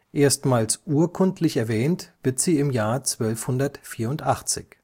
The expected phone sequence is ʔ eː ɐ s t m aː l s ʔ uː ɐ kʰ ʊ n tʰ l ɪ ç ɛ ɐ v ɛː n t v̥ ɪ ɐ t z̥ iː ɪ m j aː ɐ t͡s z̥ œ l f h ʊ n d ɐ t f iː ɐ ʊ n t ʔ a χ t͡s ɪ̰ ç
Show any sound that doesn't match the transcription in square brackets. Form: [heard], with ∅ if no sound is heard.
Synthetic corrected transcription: ʔ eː ɐ s t m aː l s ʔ uː ɐ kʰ ʊ n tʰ l ɪ ç ɛ ɐ v ɛː n t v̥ ɪ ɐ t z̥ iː ɪ m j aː ɐ t͡s [v̥] œ l f h ʊ n d ɐ t f iː ɐ ʊ n t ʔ a χ t͡s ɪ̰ ç